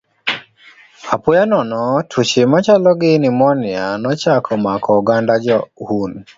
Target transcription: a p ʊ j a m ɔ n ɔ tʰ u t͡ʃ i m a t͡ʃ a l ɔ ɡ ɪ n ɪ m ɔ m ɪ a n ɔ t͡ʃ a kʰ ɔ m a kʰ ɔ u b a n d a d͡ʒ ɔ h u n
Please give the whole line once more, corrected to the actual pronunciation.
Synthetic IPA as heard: a p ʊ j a n ɔ n ɔ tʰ u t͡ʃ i m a t͡ʃ a l ɔ ɡ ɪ n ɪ m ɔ n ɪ a n ɔ t͡ʃ a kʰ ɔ m a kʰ ɔ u ɡ a n d a d͡ʒ ɔ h u n